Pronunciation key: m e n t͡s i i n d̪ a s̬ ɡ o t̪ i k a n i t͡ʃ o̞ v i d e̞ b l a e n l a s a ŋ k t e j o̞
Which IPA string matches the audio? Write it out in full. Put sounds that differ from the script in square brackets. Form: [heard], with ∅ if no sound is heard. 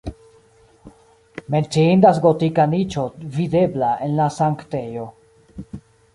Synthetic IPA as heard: m e n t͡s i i n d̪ a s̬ ɡ o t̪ i k a n i t͡ʃ o̞ v i d e̞ b l a e n l a s a ŋ k t e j o̞